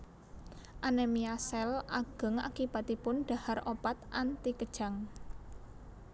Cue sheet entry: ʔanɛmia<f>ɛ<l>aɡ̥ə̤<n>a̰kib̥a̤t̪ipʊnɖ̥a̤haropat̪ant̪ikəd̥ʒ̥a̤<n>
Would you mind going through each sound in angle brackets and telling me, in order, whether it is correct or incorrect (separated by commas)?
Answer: incorrect, correct, incorrect, incorrect